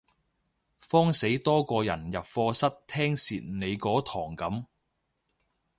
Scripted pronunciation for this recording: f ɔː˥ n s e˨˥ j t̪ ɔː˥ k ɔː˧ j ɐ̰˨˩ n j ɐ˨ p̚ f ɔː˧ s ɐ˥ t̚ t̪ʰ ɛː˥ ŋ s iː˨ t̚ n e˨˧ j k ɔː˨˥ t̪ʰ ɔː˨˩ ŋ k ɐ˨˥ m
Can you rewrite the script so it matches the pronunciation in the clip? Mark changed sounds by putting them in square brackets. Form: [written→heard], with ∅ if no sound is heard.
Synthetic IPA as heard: f ɔː˥ [n→ŋ] s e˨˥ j t̪ ɔː˥ k ɔː˧ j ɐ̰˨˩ n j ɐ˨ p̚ f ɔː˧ s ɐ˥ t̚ t̪ʰ ɛː˥ ŋ s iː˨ t̚ n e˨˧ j k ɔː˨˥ t̪ʰ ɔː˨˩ ŋ k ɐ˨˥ m